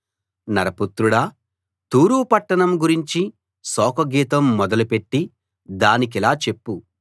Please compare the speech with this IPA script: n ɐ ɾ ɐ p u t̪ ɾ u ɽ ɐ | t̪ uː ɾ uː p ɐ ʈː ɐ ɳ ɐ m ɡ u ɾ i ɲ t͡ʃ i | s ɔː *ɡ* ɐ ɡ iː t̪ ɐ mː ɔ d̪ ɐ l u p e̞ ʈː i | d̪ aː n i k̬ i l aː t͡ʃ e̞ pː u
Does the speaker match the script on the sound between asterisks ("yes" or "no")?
no